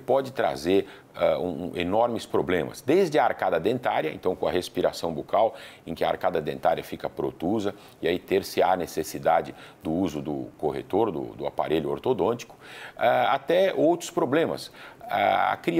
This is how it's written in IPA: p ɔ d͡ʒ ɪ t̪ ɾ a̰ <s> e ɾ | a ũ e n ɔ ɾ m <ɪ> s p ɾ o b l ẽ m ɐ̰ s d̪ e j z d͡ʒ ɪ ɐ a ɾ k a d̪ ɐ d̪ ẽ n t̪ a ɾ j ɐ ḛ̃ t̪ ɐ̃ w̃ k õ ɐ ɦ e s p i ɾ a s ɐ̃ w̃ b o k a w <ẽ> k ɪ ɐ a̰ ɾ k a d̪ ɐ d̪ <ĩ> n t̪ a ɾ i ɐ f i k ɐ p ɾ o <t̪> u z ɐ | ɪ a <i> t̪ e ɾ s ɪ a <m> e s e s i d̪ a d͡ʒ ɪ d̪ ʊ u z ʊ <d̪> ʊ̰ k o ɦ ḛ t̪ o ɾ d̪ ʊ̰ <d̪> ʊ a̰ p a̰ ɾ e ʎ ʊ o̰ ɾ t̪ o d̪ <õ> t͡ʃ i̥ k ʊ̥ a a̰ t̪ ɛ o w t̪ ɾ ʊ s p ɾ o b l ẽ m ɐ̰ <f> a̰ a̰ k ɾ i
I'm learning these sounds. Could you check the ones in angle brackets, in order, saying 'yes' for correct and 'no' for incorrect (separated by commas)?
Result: no, yes, yes, no, yes, yes, no, yes, yes, yes, no